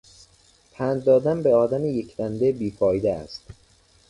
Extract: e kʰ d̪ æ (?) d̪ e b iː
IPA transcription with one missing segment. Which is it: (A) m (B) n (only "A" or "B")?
B